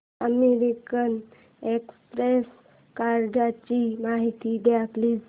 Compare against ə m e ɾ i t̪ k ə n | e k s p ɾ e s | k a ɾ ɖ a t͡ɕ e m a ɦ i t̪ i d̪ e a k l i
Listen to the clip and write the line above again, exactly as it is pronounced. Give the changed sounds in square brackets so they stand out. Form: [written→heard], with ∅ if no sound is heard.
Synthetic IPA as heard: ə m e ɾ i [t̪→∅] k ə n | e k s p ɾ e s | k a ɾ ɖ a t͡ɕ [e→i] m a ɦ i t̪ i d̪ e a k l i